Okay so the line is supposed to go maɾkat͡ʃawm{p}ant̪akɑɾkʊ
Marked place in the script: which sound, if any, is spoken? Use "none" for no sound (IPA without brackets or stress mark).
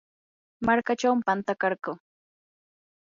p